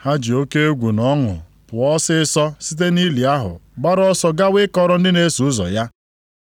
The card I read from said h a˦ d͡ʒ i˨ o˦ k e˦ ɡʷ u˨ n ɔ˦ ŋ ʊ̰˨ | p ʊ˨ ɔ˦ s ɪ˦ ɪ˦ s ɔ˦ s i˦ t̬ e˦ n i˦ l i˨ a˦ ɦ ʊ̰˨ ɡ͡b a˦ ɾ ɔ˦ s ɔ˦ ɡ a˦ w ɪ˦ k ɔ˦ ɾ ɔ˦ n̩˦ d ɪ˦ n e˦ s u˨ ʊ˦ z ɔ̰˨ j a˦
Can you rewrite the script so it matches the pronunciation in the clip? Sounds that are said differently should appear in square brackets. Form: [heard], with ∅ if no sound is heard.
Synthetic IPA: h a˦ d͡ʒ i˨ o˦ k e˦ ɡʷ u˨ n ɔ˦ ŋ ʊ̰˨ | p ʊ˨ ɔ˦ s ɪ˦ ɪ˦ s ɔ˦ s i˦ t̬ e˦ n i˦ l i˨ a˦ ɦ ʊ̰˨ ɡ͡b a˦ ɾ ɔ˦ s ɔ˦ ɡ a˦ w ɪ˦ k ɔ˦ ɾ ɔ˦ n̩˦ d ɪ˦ n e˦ s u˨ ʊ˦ z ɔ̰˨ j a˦